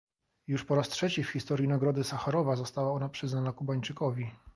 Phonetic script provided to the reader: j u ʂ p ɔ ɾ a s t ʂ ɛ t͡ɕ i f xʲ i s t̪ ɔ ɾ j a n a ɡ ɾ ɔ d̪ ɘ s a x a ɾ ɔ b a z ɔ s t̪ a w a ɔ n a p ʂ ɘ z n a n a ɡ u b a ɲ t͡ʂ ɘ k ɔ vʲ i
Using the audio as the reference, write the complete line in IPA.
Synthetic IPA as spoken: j u ʂ p ɔ ɾ a s t ʂ ɛ t͡ɕ i f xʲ i s t̪ ɔ ɾ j i n a ɡ ɾ ɔ d̪ ɘ s a x a ɾ ɔ v a z ɔ s t̪ a w a ɔ n a p ʂ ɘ z n a n a k u b a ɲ t͡ʂ ɘ k ɔ vʲ i